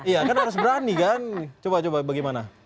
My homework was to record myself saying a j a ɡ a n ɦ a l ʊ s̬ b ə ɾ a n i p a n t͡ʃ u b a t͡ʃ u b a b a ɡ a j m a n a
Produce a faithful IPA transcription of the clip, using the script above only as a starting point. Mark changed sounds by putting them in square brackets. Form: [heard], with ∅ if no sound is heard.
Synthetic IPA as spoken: [i] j a [k] a n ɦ a [ɾ] ʊ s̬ b ə ɾ a n i [k] a n t͡ʃ [o] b a t͡ʃ [o] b a b a ɡ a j m a n a